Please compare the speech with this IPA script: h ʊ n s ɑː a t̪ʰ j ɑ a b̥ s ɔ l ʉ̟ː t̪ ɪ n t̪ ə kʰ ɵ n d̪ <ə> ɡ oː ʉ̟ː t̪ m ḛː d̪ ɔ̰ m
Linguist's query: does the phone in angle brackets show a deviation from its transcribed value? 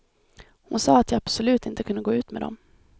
no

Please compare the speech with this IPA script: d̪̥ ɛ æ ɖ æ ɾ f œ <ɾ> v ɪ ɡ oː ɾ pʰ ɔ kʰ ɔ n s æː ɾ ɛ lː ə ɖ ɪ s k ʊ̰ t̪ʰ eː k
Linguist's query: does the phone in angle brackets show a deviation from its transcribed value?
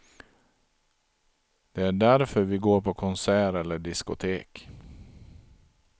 no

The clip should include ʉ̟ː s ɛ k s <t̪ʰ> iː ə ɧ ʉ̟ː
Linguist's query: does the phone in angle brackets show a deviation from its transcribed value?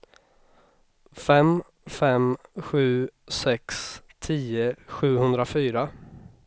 no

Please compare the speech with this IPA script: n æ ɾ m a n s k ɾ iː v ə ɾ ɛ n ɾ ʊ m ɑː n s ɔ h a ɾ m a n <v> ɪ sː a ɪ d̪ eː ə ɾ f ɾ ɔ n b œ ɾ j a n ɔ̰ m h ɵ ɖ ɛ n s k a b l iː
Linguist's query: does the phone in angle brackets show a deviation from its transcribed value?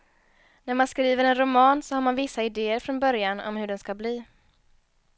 no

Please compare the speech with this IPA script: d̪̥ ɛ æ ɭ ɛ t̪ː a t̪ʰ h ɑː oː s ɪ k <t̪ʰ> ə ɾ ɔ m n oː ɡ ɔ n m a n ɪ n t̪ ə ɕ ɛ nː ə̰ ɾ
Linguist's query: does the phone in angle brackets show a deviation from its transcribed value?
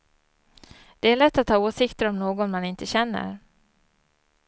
yes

